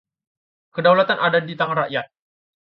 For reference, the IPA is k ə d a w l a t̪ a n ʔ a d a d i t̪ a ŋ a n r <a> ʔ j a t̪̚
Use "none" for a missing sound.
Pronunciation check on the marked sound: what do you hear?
a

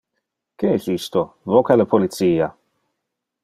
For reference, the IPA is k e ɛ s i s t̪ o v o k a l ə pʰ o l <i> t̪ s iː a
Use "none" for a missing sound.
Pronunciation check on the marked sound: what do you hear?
i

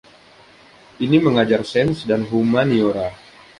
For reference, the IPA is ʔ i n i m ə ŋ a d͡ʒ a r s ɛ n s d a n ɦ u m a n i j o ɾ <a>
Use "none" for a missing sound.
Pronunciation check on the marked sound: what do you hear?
a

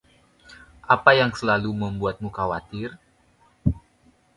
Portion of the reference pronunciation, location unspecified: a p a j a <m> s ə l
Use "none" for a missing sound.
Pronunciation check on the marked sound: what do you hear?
ŋ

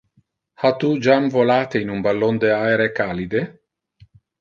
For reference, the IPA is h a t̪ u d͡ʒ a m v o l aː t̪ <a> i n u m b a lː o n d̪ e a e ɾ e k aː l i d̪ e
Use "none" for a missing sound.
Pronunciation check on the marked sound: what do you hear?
e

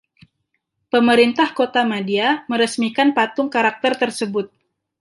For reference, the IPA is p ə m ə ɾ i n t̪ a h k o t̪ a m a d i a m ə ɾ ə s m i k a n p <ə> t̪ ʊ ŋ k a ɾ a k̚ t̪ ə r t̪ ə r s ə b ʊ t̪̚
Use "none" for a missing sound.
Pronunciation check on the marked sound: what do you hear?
a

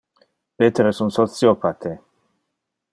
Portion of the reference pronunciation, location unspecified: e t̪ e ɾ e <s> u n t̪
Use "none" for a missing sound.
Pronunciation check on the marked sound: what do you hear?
s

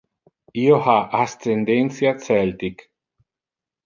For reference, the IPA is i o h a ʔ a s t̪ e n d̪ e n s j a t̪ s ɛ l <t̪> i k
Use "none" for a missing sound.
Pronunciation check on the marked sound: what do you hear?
t̪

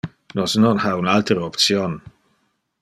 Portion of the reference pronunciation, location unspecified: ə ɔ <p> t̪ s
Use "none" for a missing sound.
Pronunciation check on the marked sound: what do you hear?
p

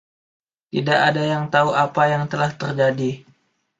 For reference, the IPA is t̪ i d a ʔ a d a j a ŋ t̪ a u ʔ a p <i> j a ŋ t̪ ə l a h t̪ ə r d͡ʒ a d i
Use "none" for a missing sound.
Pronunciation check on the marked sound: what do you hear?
a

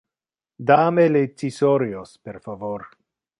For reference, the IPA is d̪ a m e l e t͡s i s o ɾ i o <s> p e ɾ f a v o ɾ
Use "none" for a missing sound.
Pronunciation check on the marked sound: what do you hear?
s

